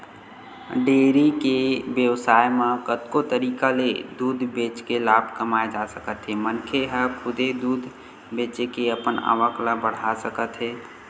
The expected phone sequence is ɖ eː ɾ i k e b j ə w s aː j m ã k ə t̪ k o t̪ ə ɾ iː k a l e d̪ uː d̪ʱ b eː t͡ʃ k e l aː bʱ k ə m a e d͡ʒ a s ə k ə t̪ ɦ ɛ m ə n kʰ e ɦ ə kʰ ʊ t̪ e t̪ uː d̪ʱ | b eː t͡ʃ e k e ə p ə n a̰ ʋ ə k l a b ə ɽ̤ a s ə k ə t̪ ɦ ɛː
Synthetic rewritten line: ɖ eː ɾ i k e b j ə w s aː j m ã k ə t̪ k o t̪ ə ɾ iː k a l e d̪ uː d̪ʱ b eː t͡ʃ k e l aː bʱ k ə m a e d͡ʒ a s ə k ə t̪ ɦ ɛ m ə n kʰ e ɦ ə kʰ ʊ d̪ e d̪ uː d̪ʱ | b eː t͡ʃ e k e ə p ə n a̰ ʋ ə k l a b ə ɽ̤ a s ə k ə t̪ ɦ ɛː